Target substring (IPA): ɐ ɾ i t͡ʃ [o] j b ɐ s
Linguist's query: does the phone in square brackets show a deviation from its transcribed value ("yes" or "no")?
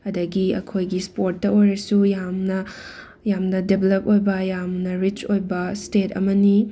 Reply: no